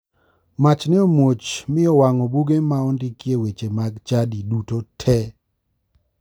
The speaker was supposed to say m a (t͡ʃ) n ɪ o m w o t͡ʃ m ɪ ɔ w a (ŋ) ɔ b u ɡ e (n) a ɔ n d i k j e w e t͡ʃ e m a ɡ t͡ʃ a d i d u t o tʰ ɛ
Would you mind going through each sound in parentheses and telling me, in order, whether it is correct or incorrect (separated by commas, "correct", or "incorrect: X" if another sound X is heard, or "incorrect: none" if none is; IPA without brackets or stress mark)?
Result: correct, correct, incorrect: m